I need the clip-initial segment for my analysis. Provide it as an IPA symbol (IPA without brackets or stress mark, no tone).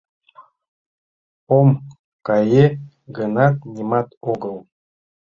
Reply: o